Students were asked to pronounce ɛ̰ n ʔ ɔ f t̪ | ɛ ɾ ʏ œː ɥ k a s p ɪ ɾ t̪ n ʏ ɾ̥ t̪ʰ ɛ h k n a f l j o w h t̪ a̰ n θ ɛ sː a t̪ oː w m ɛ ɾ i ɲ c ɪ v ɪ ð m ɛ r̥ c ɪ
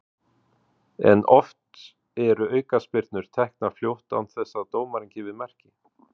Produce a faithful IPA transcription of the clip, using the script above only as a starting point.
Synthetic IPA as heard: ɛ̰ n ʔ ɔ f t̪ | ɛ ɾ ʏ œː ɥ k a s p ɪ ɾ t̪ n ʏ ɾ̥ t̪ʰ ɛ h k n a f l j o w h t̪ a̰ n θ ɛ sː a t̪ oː w m a ɾ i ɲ c ɪ v ɪ ð m ɛ r̥ c ɪ